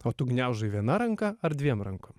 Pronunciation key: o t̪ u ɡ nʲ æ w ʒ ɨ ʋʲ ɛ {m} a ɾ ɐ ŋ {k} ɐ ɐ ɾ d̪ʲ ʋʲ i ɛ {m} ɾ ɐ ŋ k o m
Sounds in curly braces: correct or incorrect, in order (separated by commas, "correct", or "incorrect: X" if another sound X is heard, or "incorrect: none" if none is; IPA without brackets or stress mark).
incorrect: n, correct, correct